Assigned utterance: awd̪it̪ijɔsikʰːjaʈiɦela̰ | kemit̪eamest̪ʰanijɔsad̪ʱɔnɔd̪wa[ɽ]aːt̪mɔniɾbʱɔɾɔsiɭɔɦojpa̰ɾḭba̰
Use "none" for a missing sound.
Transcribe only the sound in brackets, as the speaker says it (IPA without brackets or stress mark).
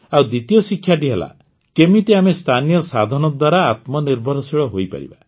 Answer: ɾ